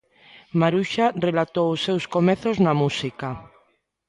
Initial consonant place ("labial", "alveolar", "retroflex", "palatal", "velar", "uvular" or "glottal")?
labial